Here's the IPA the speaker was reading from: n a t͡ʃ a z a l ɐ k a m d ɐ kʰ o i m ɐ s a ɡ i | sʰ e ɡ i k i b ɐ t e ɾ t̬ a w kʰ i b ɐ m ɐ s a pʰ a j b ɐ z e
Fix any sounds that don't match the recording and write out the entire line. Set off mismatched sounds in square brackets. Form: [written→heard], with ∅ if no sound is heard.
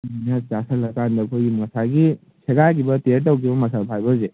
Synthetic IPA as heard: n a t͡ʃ a [z→s] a l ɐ k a [m→n] d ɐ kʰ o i m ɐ s a ɡ i | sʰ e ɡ [i→a] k i b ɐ t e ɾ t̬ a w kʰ i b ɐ m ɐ s a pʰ a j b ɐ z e

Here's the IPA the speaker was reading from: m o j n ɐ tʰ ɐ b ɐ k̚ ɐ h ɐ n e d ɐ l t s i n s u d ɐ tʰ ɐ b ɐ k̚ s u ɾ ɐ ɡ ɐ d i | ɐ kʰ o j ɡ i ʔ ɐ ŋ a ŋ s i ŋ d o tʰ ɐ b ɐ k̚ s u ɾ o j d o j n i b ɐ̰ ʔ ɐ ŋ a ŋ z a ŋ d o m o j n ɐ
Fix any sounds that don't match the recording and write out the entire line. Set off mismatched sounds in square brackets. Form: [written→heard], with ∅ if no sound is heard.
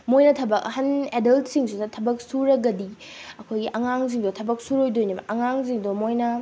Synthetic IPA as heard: m o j n ɐ tʰ ɐ b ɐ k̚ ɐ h ɐ n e d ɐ l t s i [n→ŋ] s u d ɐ tʰ ɐ b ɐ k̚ s u ɾ ɐ ɡ ɐ d i | ɐ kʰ o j ɡ i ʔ ɐ ŋ a ŋ [s→z] i ŋ d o tʰ ɐ b ɐ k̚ s u ɾ o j d o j n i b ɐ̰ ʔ ɐ ŋ a ŋ z [a→i] ŋ d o m o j n ɐ

